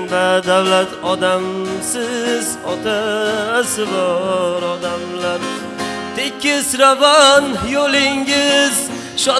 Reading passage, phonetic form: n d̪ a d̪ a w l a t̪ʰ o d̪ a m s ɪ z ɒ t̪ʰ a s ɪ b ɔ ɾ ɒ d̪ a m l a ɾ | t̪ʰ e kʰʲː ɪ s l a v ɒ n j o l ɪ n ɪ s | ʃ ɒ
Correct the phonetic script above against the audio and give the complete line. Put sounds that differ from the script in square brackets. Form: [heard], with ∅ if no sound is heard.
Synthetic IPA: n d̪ a d̪ a w l a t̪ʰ [ɒ] d̪ a m s ɪ z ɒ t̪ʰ a s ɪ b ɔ ɾ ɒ d̪ a m l a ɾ | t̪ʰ e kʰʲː ɪ s [ɾ] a v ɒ n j o l ɪ [ŋ] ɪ [z] | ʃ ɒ